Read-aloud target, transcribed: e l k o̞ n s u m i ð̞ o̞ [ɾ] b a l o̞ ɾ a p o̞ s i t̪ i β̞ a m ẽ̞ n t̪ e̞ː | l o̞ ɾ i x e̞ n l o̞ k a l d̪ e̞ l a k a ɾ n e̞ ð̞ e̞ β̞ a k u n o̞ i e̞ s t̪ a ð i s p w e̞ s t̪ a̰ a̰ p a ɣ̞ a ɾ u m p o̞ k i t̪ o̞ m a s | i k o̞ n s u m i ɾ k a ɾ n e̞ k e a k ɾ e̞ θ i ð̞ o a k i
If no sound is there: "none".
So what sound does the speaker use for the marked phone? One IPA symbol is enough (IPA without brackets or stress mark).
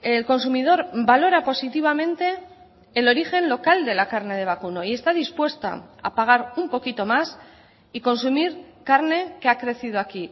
ɾ